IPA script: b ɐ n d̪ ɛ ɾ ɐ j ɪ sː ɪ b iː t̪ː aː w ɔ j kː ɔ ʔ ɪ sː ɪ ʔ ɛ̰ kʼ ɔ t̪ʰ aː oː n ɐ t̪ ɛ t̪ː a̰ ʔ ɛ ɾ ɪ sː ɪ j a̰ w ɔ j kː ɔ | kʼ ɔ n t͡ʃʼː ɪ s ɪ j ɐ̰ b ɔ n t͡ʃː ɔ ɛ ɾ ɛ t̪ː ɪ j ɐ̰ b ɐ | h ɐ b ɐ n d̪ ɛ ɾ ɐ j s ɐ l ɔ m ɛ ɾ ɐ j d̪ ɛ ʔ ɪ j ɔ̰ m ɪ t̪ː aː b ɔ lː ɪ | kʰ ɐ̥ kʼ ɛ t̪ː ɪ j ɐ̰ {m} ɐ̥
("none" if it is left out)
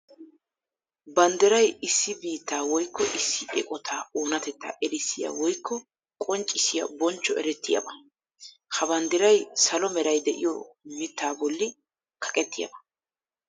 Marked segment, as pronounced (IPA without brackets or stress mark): b